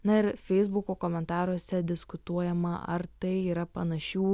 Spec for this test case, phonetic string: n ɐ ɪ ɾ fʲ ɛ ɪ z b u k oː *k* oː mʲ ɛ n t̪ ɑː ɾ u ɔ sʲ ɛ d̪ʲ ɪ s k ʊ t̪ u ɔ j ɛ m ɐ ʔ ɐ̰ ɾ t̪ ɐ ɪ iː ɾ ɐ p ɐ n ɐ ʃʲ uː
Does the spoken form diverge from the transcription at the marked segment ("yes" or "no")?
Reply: no